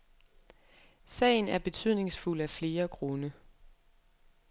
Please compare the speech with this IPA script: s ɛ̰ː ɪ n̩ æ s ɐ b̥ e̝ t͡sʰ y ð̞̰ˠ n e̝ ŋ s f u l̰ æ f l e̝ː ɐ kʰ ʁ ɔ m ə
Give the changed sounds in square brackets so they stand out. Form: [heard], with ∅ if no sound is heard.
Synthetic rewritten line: s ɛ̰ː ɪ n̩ æ [∅] ɐ b̥ e̝ t͡sʰ y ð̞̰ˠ n e̝ ŋ s f u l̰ æ f l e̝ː ɐ kʰ ʁ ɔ [n] ə